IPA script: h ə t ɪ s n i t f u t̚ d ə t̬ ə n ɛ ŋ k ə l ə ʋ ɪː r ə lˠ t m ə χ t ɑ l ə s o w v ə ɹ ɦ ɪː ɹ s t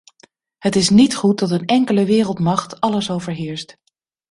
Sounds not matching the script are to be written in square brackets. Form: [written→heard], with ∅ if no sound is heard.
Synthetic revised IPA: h ə t ɪ s n i t [f→χ] u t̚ d [ə→ɑ] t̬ ə n ɛ ŋ k ə l ə ʋ ɪː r ə lˠ t m [ə→ɑ] χ t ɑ l ə s o w v ə ɹ ɦ ɪː ɹ s t